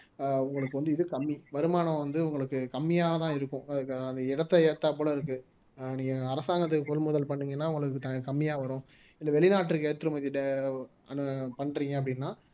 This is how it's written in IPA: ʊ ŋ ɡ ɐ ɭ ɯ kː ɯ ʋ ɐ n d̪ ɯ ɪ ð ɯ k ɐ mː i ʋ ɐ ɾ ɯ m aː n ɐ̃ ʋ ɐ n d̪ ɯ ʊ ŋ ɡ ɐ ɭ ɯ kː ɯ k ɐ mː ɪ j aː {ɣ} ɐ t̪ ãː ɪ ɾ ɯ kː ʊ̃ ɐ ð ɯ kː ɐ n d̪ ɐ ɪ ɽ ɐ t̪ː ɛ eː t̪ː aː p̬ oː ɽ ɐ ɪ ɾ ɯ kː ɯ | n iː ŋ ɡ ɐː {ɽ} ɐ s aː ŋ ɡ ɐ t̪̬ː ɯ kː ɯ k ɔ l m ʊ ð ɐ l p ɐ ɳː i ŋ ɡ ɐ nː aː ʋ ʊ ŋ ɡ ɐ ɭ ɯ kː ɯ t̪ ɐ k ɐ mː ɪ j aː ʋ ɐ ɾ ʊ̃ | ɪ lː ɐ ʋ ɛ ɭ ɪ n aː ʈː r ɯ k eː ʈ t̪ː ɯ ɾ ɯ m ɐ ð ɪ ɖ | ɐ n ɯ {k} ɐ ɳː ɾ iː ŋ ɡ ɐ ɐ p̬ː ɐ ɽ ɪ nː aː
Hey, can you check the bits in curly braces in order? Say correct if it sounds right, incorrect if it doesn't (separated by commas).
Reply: correct, incorrect, incorrect